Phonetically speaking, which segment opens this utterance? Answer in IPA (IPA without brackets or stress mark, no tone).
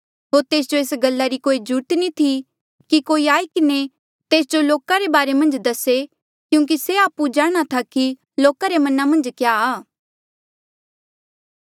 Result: ɦ